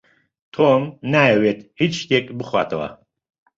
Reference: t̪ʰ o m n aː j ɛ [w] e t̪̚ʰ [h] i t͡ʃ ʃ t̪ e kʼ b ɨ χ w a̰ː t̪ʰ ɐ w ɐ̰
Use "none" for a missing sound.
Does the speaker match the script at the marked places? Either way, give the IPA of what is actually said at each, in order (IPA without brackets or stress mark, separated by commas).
w, h